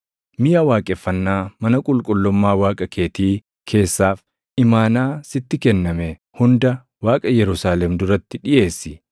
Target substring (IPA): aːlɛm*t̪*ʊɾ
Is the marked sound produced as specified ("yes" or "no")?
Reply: no